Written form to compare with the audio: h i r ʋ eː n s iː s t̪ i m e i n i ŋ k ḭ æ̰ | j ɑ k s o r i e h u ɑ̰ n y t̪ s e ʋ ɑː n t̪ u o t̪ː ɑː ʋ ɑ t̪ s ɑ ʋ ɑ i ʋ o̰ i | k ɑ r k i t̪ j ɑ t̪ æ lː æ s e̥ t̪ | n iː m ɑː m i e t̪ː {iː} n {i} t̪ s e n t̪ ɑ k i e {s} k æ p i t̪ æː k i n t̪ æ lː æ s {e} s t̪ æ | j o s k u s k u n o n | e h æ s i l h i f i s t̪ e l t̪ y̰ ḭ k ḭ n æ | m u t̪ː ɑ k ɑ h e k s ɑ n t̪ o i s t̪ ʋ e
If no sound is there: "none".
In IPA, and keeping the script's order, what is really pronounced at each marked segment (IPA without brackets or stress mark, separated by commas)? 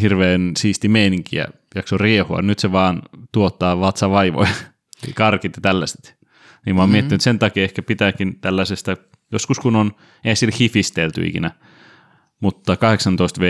i, y, h, e